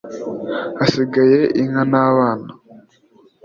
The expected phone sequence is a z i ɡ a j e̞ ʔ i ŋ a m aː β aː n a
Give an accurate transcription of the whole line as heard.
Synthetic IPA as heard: a s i ɡ a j e̞ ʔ i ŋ a n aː β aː n a